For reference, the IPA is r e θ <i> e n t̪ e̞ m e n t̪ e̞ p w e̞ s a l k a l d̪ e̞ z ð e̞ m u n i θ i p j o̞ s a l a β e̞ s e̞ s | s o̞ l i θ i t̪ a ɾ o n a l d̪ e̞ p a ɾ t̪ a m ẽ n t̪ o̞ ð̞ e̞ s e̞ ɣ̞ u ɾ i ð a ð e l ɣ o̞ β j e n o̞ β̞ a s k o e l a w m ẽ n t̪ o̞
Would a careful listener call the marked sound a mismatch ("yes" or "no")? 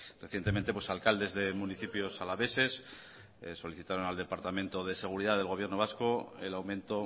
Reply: yes